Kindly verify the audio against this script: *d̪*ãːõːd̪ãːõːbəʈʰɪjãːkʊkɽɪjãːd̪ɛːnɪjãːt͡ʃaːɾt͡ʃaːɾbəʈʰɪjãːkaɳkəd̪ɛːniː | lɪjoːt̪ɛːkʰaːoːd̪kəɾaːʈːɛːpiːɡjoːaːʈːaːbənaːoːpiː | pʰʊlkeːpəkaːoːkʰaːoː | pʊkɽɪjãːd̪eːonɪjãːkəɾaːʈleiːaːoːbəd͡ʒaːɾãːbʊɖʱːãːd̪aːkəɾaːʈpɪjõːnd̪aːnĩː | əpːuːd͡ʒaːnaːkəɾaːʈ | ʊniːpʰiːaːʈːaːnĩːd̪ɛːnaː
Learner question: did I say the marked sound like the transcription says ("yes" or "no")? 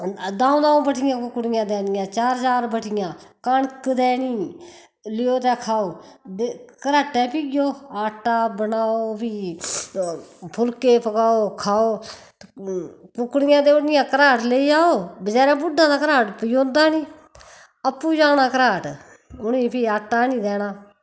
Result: yes